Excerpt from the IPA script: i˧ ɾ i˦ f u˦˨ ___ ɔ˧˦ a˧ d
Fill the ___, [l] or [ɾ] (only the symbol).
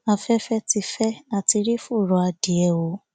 ɾ